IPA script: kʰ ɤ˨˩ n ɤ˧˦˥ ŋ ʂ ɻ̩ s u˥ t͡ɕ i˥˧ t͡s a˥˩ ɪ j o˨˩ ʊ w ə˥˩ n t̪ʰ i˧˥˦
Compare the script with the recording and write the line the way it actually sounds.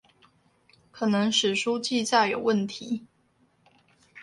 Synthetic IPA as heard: kʰ ɤ˨˩ n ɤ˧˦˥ ŋ ʂ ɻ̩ ʂ u˥ t͡ɕ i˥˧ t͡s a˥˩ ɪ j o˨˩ ʊ w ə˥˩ n t̪ʰ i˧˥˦